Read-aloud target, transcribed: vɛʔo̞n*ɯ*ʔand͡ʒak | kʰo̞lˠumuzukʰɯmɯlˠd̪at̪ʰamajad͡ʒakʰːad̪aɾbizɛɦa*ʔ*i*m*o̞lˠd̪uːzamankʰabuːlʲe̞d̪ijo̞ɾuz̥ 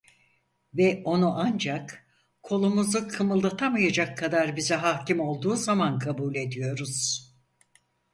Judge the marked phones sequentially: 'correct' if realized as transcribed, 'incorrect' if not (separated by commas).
incorrect, incorrect, correct